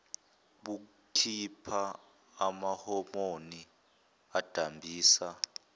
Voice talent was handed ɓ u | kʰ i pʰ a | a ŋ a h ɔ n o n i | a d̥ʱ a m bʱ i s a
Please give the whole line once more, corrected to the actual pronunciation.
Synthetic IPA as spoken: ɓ u | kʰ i pʰ a | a m a h ɔ m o n i | a d̥ʱ a m bʱ iː s a